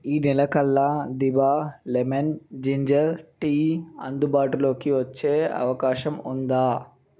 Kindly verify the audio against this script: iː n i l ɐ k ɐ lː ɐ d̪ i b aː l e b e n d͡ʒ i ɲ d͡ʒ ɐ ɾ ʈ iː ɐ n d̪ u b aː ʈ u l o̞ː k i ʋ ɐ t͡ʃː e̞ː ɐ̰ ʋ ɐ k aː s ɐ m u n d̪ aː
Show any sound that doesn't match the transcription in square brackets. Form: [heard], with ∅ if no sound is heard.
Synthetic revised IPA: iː n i l ɐ k ɐ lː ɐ d̪ i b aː l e [m] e n d͡ʒ i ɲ d͡ʒ ɐ ɾ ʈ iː ɐ n d̪ u b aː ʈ u l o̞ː k i ʋ ɐ t͡ʃː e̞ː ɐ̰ ʋ ɐ k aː [ʃ] ɐ m u n d̪ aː